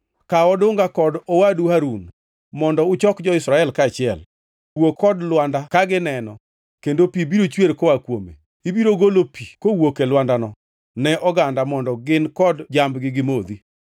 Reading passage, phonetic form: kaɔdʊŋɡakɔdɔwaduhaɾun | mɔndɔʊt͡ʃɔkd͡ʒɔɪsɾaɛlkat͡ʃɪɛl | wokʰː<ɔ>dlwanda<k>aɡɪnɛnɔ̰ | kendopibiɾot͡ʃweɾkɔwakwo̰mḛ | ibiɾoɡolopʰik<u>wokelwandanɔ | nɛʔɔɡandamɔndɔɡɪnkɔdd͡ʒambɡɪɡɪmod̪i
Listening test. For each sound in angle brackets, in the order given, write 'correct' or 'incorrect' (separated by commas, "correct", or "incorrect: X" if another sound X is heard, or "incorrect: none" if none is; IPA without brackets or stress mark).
correct, correct, incorrect: o